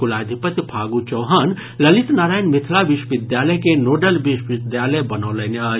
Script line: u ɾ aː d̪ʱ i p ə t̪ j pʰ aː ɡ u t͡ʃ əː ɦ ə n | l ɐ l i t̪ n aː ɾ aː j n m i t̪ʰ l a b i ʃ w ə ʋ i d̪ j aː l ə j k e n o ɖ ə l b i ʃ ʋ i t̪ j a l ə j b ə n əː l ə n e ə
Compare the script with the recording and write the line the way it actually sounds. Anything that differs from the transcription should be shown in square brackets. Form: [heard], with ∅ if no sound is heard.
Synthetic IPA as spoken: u [l] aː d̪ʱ i p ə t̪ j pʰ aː ɡ u t͡ʃ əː ɦ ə n | l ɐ l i t̪ n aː ɾ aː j n m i t̪ʰ l a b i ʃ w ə ʋ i d̪ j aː l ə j k e n o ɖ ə l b i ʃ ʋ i [d̪] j a l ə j b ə n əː l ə n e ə